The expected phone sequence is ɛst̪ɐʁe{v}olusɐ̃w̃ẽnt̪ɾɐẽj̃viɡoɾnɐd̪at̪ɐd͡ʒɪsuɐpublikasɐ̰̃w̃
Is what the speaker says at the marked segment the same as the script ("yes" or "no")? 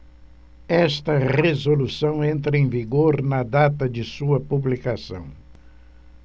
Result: no